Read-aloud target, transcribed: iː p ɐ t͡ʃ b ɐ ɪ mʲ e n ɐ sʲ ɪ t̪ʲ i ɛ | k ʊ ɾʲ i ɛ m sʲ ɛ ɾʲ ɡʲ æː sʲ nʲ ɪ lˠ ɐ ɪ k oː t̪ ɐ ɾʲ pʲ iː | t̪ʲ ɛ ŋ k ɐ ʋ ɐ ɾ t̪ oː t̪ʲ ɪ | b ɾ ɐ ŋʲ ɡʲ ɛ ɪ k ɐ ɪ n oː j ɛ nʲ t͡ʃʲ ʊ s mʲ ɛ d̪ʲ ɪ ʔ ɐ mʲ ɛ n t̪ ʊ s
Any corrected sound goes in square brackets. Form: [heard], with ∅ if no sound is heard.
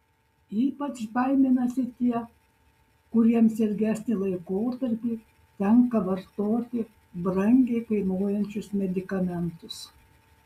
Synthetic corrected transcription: iː p ɐ t͡ʃ b ɐ ɪ mʲ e n ɐ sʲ ɪ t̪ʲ i ɛ | k ʊ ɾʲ i ɛ m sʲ ɛ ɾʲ ɡʲ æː sʲ nʲ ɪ lˠ ɐ ɪ k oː t̪ ɐ ɾʲ pʲ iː | t̪ʲ ɛ ŋ k ɐ ʋ ɐ ɾ t̪ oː t̪ʲ ɪ | b ɾ ɐ ŋʲ ɡʲ ɛ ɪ k ɐ ɪ n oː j ɛ nʲ t͡ʃʲ ʊ s mʲ ɛ d̪ʲ ɪ [k] ɐ mʲ ɛ n t̪ ʊ s

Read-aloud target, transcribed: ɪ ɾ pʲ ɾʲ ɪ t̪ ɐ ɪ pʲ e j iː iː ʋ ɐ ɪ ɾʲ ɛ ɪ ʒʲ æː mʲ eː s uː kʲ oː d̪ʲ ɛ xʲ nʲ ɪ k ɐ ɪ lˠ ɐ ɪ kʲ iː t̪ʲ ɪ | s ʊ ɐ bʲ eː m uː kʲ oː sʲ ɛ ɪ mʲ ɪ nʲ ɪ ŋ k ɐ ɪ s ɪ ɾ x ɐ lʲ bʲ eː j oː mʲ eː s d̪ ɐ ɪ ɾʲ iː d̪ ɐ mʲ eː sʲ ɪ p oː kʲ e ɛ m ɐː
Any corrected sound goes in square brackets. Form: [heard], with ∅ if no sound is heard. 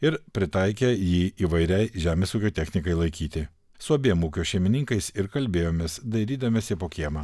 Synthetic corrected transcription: ɪ ɾ pʲ ɾʲ ɪ t̪ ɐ ɪ [kʲ] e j iː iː ʋ ɐ ɪ ɾʲ ɛ ɪ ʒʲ æː mʲ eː s uː kʲ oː [t̪ʲ] ɛ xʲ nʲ ɪ k ɐ ɪ lˠ ɐ ɪ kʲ iː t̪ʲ ɪ | s ʊ ɐ bʲ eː m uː kʲ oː [ʃʲ] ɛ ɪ mʲ ɪ nʲ ɪ ŋ k ɐ ɪ s ɪ ɾ [k] ɐ lʲ bʲ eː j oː mʲ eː s d̪ ɐ ɪ ɾʲ iː d̪ ɐ mʲ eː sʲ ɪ p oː kʲ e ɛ m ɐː

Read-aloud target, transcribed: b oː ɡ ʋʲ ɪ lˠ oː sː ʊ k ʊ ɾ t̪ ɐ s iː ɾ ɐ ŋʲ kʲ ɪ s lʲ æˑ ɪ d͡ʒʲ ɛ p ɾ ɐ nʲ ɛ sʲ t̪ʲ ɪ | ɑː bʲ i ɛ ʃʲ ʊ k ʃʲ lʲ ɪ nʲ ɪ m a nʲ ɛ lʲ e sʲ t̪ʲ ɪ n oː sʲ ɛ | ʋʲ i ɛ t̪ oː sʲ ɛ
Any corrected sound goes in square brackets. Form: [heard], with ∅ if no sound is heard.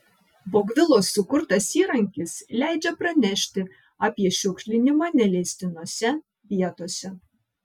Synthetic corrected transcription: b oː ɡ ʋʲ ɪ lˠ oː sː ʊ k ʊ ɾ t̪ ɐ s iː ɾ ɐ ŋʲ kʲ ɪ s lʲ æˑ ɪ d͡ʒʲ ɛ p ɾ ɐ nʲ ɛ [ʃʲ] t̪ʲ ɪ | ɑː [pʲ] i ɛ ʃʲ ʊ k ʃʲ lʲ ɪ nʲ ɪ m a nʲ ɛ lʲ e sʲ t̪ʲ ɪ n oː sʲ ɛ | ʋʲ i ɛ t̪ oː sʲ ɛ

